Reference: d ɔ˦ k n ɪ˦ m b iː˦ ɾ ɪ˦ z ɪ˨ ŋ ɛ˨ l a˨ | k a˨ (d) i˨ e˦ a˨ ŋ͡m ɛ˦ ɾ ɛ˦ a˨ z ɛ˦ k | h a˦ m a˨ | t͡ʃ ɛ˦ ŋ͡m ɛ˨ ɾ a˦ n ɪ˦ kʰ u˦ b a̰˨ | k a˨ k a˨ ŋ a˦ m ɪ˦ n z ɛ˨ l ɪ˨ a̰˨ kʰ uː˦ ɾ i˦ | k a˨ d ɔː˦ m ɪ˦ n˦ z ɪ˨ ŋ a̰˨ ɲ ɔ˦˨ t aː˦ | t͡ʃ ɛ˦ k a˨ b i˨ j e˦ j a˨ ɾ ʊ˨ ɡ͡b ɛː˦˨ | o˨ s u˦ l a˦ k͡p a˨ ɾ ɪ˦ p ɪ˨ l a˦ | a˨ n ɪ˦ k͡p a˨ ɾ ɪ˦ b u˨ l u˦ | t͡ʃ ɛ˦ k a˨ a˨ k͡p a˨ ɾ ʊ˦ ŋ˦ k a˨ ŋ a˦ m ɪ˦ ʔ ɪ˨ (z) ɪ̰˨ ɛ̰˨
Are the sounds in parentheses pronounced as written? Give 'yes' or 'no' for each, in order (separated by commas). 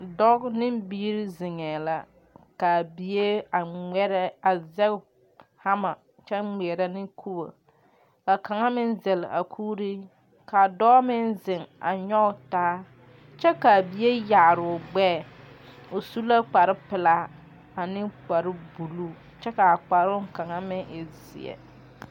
no, yes